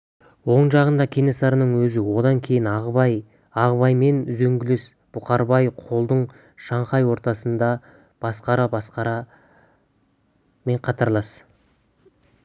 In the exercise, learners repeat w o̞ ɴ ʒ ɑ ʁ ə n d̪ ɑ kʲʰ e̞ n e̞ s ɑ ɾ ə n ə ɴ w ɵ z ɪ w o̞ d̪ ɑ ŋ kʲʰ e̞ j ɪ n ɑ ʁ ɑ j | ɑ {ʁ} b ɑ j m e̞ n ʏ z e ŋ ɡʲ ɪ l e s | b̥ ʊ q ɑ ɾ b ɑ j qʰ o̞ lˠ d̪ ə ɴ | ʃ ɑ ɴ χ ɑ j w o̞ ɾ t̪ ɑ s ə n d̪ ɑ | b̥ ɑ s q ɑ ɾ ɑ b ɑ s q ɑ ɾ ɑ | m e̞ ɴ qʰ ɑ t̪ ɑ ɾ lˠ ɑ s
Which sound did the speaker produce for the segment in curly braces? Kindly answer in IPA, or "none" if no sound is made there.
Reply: ʁ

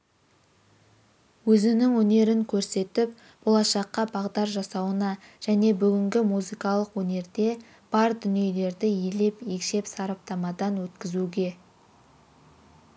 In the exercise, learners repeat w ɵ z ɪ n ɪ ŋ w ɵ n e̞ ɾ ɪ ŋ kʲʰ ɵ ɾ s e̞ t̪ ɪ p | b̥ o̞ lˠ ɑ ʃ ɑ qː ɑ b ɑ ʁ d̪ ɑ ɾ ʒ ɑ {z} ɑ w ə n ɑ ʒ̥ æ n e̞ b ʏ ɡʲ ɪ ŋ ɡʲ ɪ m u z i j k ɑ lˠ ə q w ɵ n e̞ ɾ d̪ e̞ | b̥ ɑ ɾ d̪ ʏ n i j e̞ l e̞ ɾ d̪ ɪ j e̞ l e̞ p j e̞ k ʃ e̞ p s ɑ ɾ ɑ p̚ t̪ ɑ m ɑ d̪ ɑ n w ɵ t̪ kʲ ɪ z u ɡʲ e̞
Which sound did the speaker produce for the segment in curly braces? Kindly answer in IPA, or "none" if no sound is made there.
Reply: s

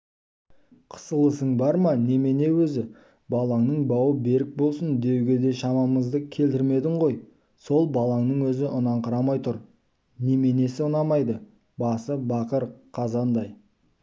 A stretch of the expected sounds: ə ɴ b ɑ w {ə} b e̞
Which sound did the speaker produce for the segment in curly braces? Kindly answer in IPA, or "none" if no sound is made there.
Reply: ə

